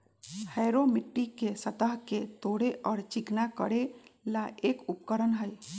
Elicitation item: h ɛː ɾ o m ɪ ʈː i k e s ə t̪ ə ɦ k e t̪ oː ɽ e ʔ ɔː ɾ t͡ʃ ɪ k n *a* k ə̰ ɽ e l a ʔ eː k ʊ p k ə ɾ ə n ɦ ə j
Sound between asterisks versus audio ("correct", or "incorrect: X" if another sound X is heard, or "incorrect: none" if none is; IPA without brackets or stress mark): correct